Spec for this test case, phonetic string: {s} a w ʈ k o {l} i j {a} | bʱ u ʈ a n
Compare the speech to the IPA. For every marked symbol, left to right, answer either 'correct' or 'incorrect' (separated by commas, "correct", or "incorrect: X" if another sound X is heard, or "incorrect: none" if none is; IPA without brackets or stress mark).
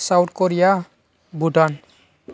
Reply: correct, incorrect: ɾ, correct